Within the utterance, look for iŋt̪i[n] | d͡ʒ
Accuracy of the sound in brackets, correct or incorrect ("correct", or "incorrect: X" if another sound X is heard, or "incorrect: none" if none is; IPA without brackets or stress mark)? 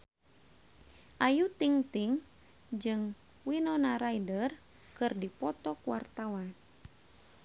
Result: incorrect: ŋ